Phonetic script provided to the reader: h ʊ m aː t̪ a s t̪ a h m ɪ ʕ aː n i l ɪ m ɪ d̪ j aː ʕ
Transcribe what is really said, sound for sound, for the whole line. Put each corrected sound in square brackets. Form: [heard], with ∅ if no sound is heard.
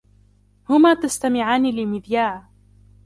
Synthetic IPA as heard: h ʊ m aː t̪ a s t̪ a [∅] m ɪ ʕ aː n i l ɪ m ɪ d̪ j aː ʕ